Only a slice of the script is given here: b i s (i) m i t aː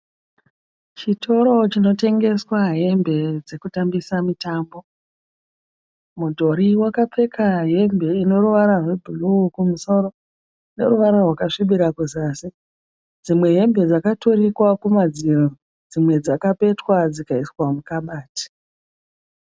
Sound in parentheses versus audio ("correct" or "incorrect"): incorrect